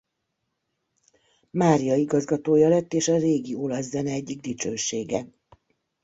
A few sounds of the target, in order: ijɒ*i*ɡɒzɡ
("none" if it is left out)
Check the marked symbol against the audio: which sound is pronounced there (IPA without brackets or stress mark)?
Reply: i